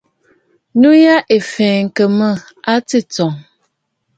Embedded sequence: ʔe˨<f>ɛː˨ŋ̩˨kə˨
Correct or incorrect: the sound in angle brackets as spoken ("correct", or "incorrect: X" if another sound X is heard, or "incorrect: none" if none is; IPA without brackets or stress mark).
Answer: correct